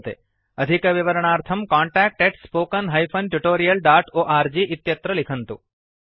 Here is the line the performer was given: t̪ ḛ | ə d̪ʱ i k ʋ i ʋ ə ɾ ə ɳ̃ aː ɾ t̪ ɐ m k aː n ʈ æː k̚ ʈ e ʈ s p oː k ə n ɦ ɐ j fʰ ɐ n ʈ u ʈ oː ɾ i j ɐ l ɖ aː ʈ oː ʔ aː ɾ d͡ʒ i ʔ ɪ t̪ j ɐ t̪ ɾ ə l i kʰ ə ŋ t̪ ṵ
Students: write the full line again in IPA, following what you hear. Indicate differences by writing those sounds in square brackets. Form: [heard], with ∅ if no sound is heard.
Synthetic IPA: t̪ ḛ | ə d̪ʱ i k ʋ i ʋ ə ɾ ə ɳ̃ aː ɾ [t̪ʰ] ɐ m k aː [ɳ] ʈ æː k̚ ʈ e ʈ s p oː k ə n ɦ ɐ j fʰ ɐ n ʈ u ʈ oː ɾ i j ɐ l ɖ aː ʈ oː ʔ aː ɾ d͡ʒ i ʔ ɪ t̪ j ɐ t̪ ɾ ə l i kʰ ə [n] t̪ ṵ